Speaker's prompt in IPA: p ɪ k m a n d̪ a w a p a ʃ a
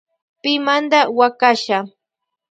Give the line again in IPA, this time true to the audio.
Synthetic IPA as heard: p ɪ m a n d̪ a w a k a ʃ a